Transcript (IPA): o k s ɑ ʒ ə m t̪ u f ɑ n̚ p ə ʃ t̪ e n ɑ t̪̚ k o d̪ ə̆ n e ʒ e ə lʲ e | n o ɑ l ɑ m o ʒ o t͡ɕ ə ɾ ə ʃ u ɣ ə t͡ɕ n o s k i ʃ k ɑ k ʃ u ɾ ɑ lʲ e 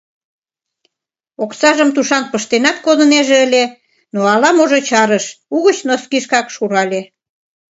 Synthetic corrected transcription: o k s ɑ ʒ ə m t̪ u ʃ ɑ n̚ p ə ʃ t̪ e n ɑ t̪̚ k o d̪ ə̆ n e ʒ e ə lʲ e | n o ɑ l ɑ m o ʒ o t͡ɕ ɑ ɾ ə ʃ u ɣ ə t͡ɕ n o s k i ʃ k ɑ k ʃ u ɾ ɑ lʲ e